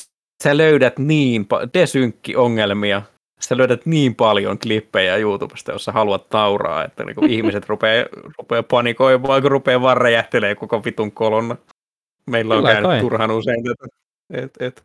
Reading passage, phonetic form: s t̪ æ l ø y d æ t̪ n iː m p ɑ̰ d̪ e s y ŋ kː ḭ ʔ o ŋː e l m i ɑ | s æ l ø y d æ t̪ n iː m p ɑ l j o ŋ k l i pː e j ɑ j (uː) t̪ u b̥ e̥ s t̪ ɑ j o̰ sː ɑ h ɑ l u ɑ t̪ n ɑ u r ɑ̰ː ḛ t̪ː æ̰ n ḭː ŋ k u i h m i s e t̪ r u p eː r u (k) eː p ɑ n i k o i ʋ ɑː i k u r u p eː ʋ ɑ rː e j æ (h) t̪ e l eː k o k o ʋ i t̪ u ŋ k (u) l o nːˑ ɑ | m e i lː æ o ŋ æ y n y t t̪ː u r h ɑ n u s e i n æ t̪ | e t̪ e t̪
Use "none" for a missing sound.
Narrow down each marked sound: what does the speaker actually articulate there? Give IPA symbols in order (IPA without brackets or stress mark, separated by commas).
uː, p, h, o